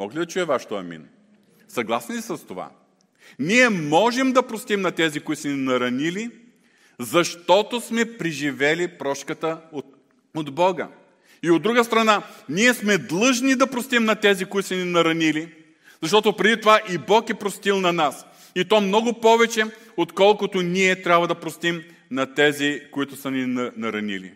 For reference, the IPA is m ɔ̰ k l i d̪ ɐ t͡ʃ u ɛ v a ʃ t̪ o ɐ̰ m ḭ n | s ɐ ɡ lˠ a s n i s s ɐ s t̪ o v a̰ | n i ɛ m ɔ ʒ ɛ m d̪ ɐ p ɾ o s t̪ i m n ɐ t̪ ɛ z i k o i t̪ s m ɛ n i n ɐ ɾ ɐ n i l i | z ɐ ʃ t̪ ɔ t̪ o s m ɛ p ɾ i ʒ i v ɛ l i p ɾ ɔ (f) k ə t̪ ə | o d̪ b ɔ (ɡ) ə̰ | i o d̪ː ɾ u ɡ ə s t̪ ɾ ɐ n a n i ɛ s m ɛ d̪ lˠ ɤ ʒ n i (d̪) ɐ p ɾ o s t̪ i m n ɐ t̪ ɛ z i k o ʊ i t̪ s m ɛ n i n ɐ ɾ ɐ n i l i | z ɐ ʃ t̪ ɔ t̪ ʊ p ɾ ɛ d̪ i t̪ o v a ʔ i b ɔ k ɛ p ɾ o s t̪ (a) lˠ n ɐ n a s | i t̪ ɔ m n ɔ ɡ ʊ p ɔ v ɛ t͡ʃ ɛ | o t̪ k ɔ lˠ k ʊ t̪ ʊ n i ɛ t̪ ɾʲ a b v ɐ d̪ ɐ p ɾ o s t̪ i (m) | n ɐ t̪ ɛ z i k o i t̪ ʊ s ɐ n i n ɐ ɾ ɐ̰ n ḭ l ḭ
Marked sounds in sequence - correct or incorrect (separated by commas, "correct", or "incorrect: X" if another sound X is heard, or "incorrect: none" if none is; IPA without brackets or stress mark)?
incorrect: ʃ, correct, correct, incorrect: i, correct